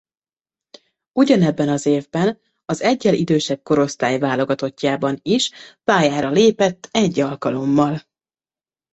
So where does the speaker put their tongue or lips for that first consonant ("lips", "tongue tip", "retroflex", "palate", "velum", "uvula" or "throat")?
palate